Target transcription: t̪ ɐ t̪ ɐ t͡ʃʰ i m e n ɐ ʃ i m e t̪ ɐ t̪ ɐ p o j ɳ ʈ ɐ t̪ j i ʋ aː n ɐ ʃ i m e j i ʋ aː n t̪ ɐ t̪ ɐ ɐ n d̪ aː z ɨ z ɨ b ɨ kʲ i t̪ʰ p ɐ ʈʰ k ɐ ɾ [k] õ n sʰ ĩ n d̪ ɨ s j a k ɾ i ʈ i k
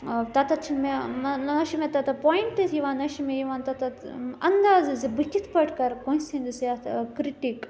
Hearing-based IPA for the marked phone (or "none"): k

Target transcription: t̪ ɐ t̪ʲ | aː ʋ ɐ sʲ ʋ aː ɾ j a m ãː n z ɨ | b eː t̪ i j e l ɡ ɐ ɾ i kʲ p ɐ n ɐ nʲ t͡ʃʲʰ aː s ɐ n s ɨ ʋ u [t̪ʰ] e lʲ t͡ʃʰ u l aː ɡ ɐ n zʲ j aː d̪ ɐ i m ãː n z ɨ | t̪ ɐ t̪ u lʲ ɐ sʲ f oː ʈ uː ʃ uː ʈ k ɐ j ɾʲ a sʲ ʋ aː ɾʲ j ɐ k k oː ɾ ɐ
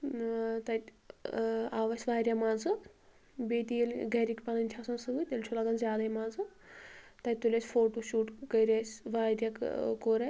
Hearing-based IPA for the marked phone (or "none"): t̪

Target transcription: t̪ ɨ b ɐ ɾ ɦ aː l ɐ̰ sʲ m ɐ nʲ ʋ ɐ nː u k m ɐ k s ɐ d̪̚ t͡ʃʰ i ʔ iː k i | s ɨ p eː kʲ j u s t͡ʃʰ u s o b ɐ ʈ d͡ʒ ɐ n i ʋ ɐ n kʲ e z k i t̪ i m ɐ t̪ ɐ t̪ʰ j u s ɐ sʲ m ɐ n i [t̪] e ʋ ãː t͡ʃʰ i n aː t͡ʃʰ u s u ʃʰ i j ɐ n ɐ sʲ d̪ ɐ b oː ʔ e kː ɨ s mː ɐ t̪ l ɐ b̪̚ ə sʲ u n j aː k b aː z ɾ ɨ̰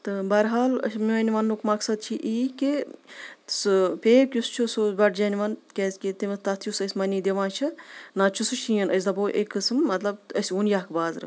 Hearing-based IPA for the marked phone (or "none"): d̪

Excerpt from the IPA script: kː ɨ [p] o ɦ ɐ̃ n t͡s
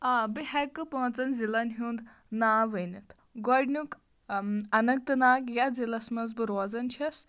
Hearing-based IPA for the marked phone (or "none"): p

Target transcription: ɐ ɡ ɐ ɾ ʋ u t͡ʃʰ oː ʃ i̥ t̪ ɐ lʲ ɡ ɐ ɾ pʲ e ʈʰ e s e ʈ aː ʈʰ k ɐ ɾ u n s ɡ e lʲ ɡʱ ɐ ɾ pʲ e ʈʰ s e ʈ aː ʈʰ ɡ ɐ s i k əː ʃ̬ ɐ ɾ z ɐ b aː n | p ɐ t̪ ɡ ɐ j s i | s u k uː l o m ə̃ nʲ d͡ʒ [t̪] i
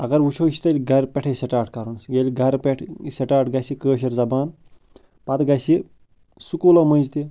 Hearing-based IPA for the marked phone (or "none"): t̪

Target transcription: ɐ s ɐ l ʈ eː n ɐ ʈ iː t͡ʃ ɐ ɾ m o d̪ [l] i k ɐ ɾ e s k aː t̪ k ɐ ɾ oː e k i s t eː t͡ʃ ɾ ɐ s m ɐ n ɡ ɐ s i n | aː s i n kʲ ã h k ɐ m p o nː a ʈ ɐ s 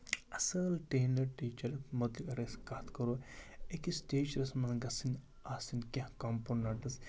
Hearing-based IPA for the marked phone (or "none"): l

